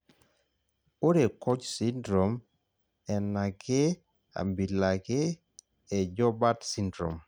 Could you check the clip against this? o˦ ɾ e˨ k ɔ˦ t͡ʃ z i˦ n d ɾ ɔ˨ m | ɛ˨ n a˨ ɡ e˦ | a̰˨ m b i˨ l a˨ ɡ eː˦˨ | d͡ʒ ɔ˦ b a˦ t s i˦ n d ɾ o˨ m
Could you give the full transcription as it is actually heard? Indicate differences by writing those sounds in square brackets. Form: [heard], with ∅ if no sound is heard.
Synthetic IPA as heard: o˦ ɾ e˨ k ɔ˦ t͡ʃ [s] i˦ n d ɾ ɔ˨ m | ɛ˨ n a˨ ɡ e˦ | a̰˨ m b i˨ l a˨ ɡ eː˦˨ | d͡ʒ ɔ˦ b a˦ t s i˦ n d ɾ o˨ m